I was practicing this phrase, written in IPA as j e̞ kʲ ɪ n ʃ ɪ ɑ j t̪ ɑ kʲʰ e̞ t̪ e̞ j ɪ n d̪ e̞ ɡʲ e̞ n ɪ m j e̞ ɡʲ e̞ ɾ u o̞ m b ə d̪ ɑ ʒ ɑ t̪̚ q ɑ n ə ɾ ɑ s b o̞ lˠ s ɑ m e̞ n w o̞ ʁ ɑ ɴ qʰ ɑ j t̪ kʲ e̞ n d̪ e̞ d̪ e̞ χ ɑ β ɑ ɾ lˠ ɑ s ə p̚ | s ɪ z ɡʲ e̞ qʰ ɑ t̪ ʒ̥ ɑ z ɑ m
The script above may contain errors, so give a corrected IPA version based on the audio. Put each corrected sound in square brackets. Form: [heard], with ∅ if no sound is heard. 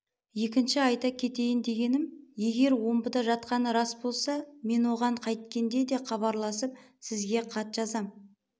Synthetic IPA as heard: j e̞ kʲ ɪ n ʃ ɪ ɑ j t̪ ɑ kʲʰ e̞ t̪ e̞ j ɪ n d̪ e̞ ɡʲ e̞ n ɪ m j e̞ ɡʲ e̞ ɾ [w] o̞ m b ə d̪ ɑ ʒ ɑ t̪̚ q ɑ n ə ɾ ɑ s b o̞ lˠ s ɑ m e̞ n w o̞ ʁ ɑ ɴ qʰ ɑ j t̪ kʲ e̞ n d̪ e̞ d̪ e̞ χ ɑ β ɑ ɾ lˠ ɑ s ə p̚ | s ɪ z ɡʲ e̞ qʰ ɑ t̪ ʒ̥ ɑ z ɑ m